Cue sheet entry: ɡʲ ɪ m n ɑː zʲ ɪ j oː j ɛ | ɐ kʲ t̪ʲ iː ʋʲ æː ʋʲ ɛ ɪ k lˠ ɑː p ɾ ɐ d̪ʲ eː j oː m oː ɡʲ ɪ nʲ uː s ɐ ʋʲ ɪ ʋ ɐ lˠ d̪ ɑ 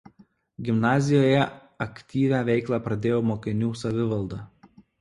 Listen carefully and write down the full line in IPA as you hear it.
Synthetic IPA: ɡʲ ɪ m n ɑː zʲ ɪ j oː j ɛ | ɐ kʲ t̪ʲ iː ʋʲ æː ʋʲ ɛ ɪ k lˠ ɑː p ɾ ɐ d̪ʲ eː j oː m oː kʲ ɪ nʲ uː s ɐ ʋʲ ɪ ʋ ɐ lˠ d̪ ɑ